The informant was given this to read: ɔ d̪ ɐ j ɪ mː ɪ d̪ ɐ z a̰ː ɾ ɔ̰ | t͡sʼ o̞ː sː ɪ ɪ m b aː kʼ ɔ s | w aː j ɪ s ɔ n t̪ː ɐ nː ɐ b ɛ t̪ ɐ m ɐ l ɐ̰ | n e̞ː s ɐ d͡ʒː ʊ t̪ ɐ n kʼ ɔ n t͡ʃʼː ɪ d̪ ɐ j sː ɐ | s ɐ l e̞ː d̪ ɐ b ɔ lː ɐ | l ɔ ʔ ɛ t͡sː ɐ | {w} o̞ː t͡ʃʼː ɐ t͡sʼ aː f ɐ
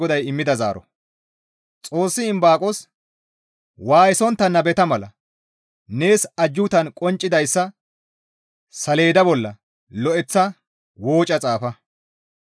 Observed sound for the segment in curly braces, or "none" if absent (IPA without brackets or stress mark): w